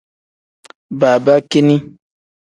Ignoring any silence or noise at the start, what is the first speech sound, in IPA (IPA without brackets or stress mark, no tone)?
b